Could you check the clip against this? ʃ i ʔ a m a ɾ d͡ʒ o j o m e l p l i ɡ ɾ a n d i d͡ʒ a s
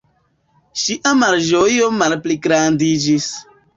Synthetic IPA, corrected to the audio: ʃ i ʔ a m a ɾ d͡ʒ o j o m a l p l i ɡ ɾ a n d i d͡ʒ i s